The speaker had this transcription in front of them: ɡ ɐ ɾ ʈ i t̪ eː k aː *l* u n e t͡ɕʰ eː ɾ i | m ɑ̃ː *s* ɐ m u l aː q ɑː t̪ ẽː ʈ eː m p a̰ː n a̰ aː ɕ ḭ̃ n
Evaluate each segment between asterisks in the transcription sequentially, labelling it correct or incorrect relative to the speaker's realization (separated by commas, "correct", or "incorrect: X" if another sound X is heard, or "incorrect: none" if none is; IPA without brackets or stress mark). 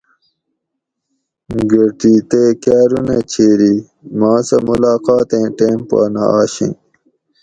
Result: incorrect: ɾ, correct